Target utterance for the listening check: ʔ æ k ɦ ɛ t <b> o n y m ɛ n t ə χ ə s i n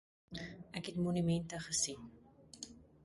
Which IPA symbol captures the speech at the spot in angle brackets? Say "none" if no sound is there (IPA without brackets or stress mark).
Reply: m